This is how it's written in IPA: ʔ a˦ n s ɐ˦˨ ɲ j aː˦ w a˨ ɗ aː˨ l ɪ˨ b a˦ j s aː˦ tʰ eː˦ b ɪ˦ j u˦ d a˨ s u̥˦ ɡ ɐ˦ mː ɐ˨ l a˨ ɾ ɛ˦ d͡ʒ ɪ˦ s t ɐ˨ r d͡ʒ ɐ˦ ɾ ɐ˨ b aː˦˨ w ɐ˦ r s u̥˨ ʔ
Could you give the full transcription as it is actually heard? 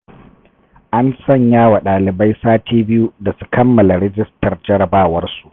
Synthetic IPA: ʔ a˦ n s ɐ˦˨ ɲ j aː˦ w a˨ ɗ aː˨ l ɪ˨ b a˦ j s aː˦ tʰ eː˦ b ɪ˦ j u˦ d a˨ s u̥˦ k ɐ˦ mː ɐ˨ l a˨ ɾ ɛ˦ d͡ʒ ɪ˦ s t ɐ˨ r d͡ʒ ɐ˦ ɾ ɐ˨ b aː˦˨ w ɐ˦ r s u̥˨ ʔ